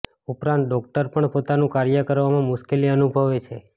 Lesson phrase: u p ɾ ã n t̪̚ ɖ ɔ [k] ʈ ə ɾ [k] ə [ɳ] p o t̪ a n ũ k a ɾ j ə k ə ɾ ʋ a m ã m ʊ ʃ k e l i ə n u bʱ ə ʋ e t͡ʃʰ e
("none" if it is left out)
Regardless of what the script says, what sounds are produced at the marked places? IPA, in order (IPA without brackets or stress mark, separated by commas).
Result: k, p, ɳ